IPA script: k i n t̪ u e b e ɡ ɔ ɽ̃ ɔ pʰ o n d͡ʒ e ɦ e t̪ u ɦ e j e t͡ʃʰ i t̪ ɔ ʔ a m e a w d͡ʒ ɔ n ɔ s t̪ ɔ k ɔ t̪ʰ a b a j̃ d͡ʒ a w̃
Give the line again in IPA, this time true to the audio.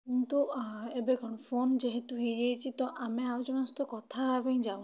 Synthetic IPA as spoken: k i n t̪ u e b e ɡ ɔ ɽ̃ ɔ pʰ o n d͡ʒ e ɦ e t̪ u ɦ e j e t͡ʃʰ i t̪ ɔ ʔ a m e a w d͡ʒ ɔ n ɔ s t̪ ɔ k ɔ t̪ʰ a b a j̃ d͡ʒ a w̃